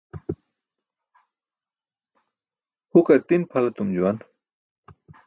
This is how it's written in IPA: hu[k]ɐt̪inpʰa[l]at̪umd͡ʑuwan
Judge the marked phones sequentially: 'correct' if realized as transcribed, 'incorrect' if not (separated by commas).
correct, correct